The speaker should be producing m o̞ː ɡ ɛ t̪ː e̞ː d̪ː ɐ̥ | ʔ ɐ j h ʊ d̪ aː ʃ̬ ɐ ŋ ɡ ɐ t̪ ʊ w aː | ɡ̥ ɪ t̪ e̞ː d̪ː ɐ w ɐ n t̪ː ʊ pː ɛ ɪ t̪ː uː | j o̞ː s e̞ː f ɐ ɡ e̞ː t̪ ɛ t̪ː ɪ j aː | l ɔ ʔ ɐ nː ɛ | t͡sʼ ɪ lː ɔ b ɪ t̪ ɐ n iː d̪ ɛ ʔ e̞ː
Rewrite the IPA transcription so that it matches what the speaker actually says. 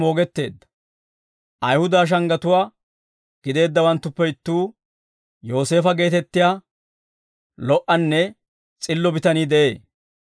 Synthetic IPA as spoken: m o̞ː ɡ ɛ t̪ː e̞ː d̪ː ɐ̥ | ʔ ɐ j h ʊ d̪ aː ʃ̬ ɐ ŋ ɡ ɐ t̪ ʊ w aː | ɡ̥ ɪ d̪ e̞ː d̪ː ɐ w ɐ n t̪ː ʊ pː ɛ ɪ t̪ː uː | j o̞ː s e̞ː f ɐ ɡ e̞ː t̪ ɛ t̪ː ɪ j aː | l ɔ ʔ ɐ nː ɛ | t͡sʼ ɪ lː ɔ b ɪ t̪ ɐ n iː d̪ ɛ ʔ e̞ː

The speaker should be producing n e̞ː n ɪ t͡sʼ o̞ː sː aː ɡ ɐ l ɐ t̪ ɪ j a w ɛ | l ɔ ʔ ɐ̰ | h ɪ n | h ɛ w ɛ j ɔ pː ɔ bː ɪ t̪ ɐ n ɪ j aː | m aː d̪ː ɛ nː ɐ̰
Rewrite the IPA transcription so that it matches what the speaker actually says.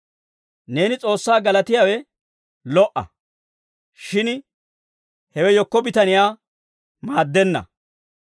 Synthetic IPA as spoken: n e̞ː n ɪ t͡sʼ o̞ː sː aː ɡ ɐ l ɐ t̪ ɪ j a w ɛ | l ɔ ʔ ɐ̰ | ʃ ɪ n | h ɛ w ɛ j ɔ kː ɔ b ɪ t̪ ɐ n ɪ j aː | m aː d̪ː ɛ nː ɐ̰

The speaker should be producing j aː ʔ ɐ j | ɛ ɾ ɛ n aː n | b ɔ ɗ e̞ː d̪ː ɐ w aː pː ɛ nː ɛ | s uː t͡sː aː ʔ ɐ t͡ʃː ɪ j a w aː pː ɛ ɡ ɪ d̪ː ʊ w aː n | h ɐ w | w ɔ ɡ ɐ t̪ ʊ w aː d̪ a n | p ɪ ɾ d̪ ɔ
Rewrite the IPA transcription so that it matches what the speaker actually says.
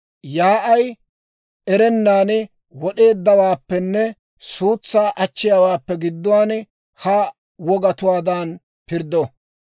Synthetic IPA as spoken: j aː ʔ ɐ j | ɛ ɾ ɛ nː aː n | w ɔ ɗ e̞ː d̪ː ɐ w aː pː ɛ nː ɛ | s uː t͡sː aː ʔ ɐ t͡ʃː ɪ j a w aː pː ɛ ɡ ɪ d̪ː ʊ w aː n | h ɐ | w ɔ ɡ ɐ t̪ ʊ w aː d̪ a n | p ɪ ɾ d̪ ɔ

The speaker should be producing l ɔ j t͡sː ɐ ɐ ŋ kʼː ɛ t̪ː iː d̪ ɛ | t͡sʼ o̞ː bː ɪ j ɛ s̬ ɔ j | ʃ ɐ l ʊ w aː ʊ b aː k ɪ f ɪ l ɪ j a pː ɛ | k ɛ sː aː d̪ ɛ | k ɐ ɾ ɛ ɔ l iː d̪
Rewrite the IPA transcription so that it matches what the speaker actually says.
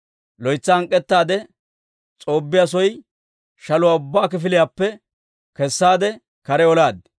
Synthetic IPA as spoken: l ɔ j t͡sː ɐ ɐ ŋ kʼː ɛ t̪ː aː d̪ ɛ | t͡sʼ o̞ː bː ɪ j a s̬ ɔ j | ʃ ɐ l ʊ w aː ʊ bː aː k ɪ f ɪ l ɪ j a pː ɛ | k ɛ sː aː d̪ ɛ | k ɐ ɾ ɛ ɔ l aː d̪

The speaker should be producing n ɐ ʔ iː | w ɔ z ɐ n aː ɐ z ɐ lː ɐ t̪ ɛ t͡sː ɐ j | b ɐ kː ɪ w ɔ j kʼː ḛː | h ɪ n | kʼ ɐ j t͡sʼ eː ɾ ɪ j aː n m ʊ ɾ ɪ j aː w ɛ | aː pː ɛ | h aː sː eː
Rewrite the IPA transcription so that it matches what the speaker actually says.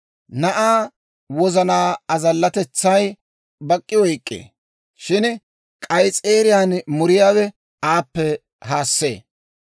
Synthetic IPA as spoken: n ɐ ʔ aː | w ɔ z ɐ n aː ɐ z ɐ lː ɐ t̪ ɛ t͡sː ɐ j | b ɐ kʼː ɪ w ɔ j kʼː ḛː | ʃ ɪ n | kʼ ɐ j t͡sʼ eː ɾ ɪ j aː n m ʊ ɾ ɪ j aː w ɛ | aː pː ɛ | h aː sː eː

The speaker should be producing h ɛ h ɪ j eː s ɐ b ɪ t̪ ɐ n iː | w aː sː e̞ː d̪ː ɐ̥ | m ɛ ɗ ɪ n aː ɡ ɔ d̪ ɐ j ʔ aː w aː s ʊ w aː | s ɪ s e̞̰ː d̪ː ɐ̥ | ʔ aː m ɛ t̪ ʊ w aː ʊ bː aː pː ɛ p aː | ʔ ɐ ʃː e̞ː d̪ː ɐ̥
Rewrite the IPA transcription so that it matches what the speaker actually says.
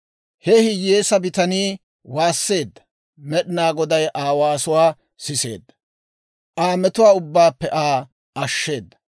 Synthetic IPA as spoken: h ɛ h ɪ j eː s ɐ b ɪ t̪ ɐ n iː | w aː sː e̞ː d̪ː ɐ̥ | m ɛ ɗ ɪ n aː ɡ ɔ d̪ ɐ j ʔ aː w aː s ʊ w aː | s ɪ s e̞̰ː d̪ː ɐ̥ | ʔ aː m ɛ t̪ ʊ w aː ʊ bː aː pː ɛ ʔ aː | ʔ ɐ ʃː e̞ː d̪ː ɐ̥

